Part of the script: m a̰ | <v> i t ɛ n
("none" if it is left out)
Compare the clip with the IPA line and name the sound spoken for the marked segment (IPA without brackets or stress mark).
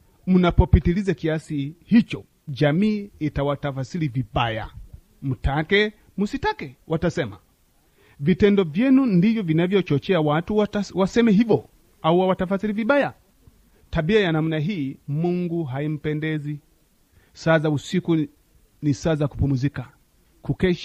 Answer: v